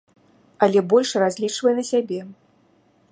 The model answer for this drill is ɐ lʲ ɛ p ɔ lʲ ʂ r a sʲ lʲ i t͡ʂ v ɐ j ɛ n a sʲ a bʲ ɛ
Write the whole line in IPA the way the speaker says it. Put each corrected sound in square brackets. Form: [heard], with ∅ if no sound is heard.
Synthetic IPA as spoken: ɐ lʲ ɛ [b] ɔ lʲ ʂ r a [zʲ] lʲ i t͡ʂ v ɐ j ɛ n [ɐ] sʲ a bʲ ɛ